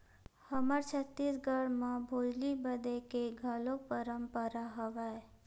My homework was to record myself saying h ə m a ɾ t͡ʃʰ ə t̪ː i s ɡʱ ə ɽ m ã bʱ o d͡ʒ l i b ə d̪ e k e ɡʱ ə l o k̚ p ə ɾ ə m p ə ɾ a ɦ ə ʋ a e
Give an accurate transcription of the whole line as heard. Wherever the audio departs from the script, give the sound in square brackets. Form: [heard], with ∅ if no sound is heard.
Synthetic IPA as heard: h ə m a ɾ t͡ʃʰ ə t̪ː i s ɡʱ ə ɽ m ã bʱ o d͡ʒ l i b ə d̪ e k e ɡʱ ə l o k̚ p ə ɾ ə m p ə ɾ a ɦ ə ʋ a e